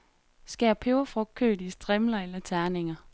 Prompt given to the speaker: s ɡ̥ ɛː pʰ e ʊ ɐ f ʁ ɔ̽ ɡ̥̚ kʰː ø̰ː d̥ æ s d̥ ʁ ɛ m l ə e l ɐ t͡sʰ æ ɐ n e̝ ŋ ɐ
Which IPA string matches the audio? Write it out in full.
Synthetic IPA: s ɡ̥ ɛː pʰ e ʊ ɐ f ʁ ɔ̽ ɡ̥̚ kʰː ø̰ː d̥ i s d̥ ʁ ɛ m l ɐ e l ɐ t͡sʰ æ ɐ n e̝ ŋ ɐ

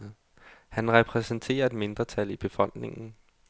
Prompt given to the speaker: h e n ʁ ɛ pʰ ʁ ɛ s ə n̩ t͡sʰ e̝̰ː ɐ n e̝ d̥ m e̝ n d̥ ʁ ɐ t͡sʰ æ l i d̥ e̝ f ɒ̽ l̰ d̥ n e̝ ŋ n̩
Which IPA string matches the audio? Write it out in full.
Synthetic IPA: h æ n ʁ ɛ pʰ ʁ ɛ s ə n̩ t͡sʰ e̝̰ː ɐ e̝ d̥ m e̝ n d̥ ʁ ɐ t͡sʰ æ l i b̥ e̝ f ɒ̽ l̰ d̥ n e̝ ŋ n̩

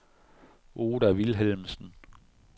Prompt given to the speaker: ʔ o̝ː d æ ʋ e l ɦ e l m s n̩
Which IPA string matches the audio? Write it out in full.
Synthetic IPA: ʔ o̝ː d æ ʋ i l ɦ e l m s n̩

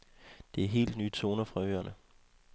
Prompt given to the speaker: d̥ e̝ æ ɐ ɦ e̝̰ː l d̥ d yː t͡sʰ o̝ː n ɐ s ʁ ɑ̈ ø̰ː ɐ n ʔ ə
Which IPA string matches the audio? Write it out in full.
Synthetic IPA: d̥ e̝ æ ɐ ɦ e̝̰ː l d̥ n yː t͡sʰ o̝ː n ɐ f ʁ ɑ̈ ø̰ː ɐ n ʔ ə

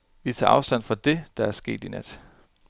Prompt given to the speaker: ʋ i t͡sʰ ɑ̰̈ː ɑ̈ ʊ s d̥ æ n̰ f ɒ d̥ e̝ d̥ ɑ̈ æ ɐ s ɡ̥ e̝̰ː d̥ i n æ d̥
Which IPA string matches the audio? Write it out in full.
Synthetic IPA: ʋ i t͡sʰ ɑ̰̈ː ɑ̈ ʊ s d̥ æ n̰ f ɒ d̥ e̝ d̥ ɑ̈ æ ɐ s ɡ̥ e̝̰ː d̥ i n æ d̥

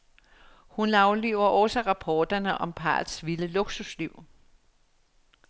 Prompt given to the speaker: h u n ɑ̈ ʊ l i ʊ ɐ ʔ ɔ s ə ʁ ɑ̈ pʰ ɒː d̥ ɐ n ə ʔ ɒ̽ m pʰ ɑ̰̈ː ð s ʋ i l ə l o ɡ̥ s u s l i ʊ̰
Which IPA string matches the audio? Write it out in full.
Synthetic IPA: h u n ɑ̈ ʊ l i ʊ ɐ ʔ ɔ s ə ʁ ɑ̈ pʰ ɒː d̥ ɐ n ə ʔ ɒ̽ m pʰ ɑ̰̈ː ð s ʋ i l ə l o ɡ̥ s u s l i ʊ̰

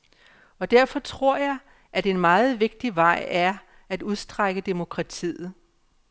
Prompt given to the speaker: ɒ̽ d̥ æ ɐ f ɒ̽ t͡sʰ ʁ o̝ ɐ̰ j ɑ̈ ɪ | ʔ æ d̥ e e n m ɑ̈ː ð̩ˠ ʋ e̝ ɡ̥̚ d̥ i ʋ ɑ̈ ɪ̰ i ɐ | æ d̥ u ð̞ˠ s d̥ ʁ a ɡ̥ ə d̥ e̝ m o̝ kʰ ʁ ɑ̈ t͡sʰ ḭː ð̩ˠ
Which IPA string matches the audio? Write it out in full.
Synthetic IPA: ɒ̽ d̥ æ ɐ f ɒ̽ t͡sʰ ʁ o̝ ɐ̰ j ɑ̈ ɪ | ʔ æ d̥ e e n m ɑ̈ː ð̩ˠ ʋ e̝ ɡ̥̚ d̥ i ʋ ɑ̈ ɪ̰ æ ɐ | æ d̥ u ð̞ˠ s d̥ ʁ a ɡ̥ ə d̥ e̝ m o̝ kʰ ʁ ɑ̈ t͡sʰ ḭː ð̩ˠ

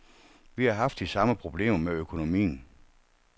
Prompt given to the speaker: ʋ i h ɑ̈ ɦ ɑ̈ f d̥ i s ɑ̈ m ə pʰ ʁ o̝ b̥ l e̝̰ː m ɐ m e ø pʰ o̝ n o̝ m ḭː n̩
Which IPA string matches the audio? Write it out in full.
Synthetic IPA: ʋ i h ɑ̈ ɦ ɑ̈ f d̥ i s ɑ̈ m ə pʰ ʁ o̝ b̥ l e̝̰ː m ɐ m e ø kʰ o̝ n o̝ m ḭː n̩

